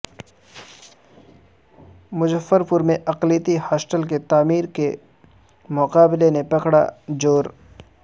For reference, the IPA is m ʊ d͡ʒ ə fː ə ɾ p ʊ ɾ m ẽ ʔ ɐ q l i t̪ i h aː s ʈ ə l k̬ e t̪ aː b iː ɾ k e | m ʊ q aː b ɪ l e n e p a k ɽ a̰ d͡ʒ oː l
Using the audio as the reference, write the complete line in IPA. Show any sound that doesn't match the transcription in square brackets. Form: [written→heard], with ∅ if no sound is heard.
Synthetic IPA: m ʊ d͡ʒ ə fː ə ɾ p ʊ ɾ m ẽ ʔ ɐ q l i t̪ i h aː s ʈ ə l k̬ e t̪ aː [b→m] iː ɾ k e | m ʊ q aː b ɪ l e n e p [a→ɐ] k ɽ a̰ d͡ʒ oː [l→ɾ]